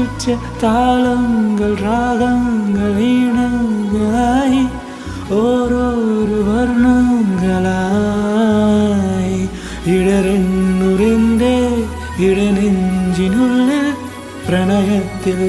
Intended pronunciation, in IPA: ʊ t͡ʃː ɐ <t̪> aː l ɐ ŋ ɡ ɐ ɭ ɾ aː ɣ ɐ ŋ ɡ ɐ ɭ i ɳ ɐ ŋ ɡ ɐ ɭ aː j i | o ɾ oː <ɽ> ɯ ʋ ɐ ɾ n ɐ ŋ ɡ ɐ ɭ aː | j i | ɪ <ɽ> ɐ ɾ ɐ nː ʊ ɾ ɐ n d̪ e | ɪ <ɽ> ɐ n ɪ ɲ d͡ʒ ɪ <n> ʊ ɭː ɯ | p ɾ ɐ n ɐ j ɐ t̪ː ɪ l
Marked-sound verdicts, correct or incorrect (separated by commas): correct, incorrect, correct, correct, correct